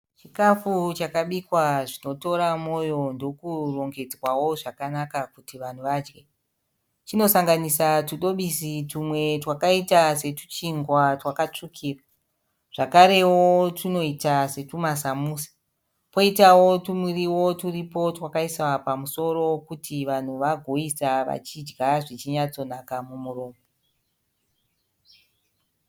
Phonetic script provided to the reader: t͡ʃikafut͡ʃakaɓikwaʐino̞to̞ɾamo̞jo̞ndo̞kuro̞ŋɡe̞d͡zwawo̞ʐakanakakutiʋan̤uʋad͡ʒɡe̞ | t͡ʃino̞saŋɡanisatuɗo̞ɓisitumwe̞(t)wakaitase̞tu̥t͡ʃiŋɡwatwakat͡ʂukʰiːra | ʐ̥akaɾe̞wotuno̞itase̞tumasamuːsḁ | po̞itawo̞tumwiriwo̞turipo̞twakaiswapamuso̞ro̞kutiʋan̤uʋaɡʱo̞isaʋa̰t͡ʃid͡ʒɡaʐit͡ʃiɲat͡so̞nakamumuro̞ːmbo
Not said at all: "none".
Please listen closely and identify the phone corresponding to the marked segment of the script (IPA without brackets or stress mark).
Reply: t